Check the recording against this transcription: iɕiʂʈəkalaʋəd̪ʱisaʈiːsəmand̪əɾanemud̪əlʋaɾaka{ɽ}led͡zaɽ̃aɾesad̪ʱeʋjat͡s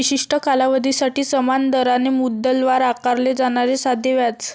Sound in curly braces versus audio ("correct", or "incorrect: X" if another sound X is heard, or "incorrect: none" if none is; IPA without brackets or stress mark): incorrect: ɾ